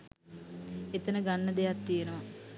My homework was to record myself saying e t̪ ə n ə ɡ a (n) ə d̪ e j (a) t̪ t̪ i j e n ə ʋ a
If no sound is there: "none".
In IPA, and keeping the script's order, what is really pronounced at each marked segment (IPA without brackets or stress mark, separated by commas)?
nː, a